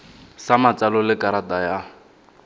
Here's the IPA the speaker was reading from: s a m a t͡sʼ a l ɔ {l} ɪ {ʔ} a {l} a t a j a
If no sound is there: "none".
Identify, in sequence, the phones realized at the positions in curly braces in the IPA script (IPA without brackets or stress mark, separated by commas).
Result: l, k, ɾ